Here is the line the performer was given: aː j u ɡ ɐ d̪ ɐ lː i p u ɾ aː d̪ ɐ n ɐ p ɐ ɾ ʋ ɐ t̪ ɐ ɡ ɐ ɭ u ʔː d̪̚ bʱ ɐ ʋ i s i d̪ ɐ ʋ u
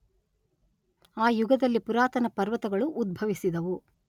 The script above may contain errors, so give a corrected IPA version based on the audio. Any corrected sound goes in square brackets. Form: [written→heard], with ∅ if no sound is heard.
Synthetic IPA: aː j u ɡ ɐ d̪ ɐ lː i p u ɾ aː [d̪→t̪] ɐ n ɐ p ɐ ɾ ʋ ɐ t̪ ɐ ɡ ɐ ɭ u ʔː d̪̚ bʱ ɐ ʋ i s i d̪ ɐ ʋ u